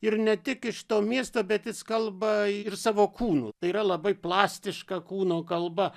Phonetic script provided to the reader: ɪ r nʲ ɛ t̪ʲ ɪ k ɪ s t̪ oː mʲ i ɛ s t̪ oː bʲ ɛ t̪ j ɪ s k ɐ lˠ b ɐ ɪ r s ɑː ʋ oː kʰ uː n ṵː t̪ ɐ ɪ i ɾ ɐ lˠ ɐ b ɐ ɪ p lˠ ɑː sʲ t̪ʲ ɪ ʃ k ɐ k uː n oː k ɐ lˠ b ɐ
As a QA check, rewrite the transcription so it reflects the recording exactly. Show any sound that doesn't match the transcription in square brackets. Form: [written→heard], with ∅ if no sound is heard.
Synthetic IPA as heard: ɪ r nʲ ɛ t̪ʲ ɪ k ɪ [s→ʃ] t̪ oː mʲ i ɛ s t̪ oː bʲ ɛ t̪ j ɪ s k ɐ lˠ b ɐ ɪ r s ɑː ʋ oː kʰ uː n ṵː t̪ ɐ ɪ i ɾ ɐ lˠ ɐ b ɐ ɪ p lˠ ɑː sʲ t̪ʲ ɪ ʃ k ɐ k uː n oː k ɐ lˠ b ɐ